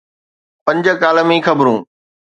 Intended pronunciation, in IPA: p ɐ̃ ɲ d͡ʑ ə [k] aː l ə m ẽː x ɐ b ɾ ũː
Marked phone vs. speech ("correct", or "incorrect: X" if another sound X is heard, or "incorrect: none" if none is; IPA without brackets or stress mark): correct